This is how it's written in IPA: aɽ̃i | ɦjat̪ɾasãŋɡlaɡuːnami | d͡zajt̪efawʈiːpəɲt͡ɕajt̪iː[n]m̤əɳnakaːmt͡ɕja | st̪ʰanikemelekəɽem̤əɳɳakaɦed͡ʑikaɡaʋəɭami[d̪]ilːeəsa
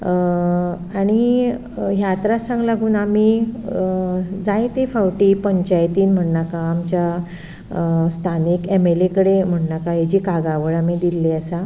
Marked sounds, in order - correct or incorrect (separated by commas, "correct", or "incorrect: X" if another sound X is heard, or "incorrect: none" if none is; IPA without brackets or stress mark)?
correct, correct